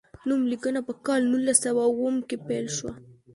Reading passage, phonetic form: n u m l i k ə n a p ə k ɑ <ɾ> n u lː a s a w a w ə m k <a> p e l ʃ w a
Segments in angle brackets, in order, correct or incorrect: incorrect, incorrect

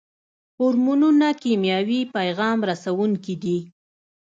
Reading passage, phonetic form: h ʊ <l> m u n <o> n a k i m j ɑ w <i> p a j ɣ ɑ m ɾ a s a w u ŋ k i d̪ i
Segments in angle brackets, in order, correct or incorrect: incorrect, incorrect, correct

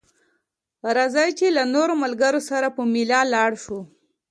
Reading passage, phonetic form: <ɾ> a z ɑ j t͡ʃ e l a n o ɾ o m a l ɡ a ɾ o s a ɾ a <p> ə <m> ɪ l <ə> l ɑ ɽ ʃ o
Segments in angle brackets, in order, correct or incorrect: correct, correct, correct, incorrect

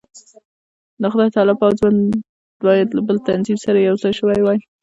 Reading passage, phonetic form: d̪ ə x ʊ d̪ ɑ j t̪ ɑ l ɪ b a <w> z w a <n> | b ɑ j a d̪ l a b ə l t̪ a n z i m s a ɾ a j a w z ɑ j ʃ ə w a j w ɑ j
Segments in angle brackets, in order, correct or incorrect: correct, correct

